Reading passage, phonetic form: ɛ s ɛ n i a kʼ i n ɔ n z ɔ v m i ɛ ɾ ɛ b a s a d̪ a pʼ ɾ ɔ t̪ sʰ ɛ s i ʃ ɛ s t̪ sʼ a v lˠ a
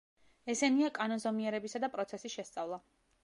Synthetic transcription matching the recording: ɛ s ɛ n i a kʼ a n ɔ n z ɔ m i ɛ ɾ ɛ b i s a d̪ a pʼ ɾ ɔ t̪ sʰ ɛ s i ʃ ɛ s t̪ sʼ a v lˠ a